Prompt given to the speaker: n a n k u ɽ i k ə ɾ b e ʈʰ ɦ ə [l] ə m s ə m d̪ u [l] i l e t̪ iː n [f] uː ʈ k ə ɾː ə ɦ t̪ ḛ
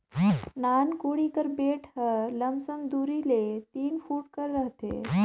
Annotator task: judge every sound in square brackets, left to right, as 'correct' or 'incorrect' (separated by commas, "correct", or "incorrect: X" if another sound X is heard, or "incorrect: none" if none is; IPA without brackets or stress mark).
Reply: correct, incorrect: ɾ, correct